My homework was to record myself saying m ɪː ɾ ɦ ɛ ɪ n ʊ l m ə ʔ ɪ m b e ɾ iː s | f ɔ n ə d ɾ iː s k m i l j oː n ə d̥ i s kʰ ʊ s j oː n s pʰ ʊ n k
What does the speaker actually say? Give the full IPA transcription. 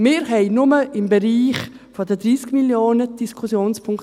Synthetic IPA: m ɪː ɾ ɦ ɛ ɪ n ʊ m ə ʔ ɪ m b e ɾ iː χ | f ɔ d ə d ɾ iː s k m i l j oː n ə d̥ i s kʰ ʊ s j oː n s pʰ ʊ ŋ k

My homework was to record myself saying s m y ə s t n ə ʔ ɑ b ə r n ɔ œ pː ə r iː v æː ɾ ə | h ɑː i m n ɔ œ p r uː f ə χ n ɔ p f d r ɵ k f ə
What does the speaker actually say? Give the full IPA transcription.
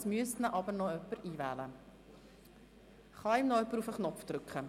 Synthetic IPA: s m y ə s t n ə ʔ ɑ b ə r n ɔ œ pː ə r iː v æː l ə | χ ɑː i m n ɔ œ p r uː f ə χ n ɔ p f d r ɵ k χ ə

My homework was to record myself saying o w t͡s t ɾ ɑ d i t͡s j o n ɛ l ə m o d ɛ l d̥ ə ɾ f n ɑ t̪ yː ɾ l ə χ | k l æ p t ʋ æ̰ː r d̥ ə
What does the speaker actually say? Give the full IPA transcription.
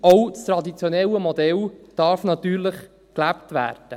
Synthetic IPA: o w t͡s t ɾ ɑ d i t͡s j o n ɛ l ə m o d ɛ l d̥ ɑ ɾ f n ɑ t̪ yː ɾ l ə χ | k l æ p t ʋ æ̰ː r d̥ ə

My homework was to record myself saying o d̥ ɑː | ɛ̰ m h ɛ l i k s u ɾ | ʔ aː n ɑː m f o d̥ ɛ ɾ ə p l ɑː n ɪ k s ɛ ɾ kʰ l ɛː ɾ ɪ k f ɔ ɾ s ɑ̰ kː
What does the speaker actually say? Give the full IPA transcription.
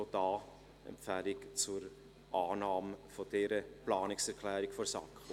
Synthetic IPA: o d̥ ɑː | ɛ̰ m f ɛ l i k t͡s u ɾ | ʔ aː n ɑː m f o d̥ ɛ ɾ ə p l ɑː n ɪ k s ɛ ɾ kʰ l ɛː ɾ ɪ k f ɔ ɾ s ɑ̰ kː

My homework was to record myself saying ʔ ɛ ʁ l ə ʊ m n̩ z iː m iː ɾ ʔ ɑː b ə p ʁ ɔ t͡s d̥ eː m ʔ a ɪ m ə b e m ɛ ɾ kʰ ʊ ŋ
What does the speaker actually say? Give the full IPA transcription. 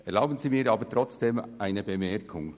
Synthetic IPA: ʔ ɛ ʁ l a ʊ b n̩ z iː m iː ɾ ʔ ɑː b ə t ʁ ɔ t͡s d̥ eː m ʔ a ɪ n ə b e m ɛ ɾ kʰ ʊ ŋ

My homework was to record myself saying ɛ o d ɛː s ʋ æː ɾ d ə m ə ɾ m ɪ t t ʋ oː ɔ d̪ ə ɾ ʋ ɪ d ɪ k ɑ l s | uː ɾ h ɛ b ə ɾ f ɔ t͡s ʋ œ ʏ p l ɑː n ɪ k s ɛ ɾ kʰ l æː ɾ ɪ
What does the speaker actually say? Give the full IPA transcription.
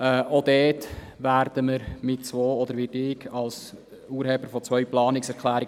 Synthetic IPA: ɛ o d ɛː t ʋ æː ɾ d ə m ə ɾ m ɪ t t͡s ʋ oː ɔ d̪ ə ɾ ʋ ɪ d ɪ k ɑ l s | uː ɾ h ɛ b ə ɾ f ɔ t͡s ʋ œ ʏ p l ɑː n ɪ k s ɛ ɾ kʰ l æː ɾ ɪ

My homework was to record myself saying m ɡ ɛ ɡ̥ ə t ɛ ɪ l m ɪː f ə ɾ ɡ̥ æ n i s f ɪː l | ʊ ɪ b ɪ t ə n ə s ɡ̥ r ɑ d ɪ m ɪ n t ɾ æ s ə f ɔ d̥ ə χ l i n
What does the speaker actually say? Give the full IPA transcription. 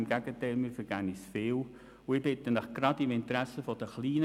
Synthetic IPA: m ɡ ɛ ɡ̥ ə t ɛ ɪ l m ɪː f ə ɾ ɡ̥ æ n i s f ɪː l | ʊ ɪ b ɪ t ə n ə χ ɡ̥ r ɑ d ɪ m ɪ n t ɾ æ s ə f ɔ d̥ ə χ l iː n

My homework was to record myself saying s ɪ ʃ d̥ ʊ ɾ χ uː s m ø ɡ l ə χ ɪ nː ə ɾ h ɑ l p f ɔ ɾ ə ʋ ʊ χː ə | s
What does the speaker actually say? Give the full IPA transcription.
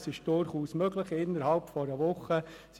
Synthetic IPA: s ɪ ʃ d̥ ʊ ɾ χ uː s m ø ɡ l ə χ ɪ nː ə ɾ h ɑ l p f ɔ ɾ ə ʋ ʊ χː ə | s

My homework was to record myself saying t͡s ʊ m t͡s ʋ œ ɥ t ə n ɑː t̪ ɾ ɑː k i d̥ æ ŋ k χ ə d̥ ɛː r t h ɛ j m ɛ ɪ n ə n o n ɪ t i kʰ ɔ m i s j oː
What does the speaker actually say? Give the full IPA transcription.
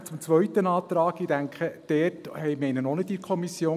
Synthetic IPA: t͡s ʊ m t͡s ʋ œ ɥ t ə n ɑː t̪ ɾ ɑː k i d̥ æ ŋ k χ ə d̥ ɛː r t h ɛ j m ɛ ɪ n ə n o n ɪ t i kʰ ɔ m i s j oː

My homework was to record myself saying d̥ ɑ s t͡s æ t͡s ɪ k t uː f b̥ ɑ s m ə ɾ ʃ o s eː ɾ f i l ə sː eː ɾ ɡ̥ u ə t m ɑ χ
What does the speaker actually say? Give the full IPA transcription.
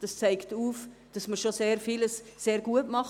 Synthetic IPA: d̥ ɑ s t͡s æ ɪ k t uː f d̥ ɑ s m ə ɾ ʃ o s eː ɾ f i l ə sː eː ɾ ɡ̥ u ə t m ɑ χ

